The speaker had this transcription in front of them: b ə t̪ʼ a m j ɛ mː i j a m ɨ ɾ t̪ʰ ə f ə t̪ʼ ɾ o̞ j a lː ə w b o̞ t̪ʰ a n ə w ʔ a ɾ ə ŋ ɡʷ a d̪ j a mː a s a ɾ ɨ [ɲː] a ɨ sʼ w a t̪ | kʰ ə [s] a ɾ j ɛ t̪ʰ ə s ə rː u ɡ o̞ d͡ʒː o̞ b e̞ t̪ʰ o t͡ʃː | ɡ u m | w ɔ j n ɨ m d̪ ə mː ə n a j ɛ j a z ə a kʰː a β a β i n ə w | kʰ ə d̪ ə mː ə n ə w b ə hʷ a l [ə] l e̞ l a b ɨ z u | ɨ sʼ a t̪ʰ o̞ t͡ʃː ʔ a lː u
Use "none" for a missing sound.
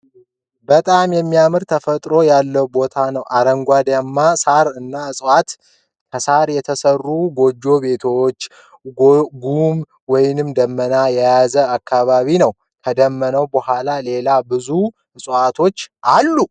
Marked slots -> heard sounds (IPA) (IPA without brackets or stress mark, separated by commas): nː, s, a